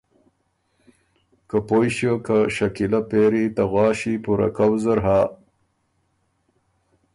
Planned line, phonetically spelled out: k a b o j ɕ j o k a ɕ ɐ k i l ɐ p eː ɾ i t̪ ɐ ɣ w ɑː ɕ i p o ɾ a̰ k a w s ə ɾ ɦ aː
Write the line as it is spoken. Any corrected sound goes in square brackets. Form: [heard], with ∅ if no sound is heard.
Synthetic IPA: k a [p] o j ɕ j o k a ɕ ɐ k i l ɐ p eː ɾ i t̪ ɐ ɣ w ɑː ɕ i p [u] ɾ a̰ k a w [z] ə ɾ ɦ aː